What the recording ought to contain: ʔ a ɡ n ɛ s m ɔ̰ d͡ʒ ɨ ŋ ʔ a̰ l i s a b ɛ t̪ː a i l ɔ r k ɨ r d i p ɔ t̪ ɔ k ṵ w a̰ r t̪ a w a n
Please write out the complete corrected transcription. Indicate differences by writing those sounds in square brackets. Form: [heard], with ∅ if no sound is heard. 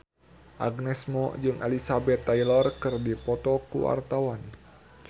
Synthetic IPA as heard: ʔ a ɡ n ɛ s m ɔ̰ d͡ʒ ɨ ŋ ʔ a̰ l i s a b ɛ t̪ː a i l ɔ r k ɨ r d i p ɔ t̪ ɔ k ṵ w a̰ r t̪ a w a n

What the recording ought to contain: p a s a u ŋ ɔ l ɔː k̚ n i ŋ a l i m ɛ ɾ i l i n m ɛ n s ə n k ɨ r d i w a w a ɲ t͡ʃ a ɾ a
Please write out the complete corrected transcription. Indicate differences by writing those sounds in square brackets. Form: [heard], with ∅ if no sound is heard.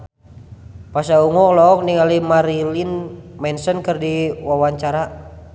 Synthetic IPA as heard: p a s a u ŋ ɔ l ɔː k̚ n i ŋ a l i m [a] ɾ i l i n m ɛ n s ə n k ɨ r d i w a w a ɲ t͡ʃ a ɾ a

